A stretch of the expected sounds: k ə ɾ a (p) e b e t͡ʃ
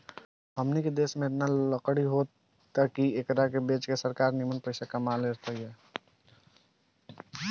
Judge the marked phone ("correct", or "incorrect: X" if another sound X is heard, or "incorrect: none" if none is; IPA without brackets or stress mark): incorrect: k